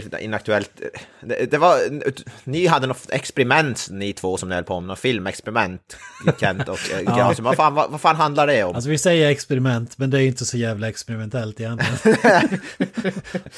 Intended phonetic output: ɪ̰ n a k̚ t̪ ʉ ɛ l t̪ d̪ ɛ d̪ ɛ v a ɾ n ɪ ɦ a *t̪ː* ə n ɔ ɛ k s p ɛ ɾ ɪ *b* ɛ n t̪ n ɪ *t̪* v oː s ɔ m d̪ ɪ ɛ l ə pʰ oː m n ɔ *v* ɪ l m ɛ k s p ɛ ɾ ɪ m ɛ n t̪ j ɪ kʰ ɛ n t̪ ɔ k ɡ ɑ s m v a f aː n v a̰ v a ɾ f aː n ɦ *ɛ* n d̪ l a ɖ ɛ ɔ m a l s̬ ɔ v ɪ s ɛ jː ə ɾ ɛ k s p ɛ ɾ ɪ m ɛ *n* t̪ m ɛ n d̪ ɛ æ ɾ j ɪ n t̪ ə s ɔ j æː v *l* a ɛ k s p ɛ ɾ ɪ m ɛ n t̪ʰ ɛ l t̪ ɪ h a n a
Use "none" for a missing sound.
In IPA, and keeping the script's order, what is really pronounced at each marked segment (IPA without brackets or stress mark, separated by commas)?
d̪ː, m, t̪ʰ, f, a, n, l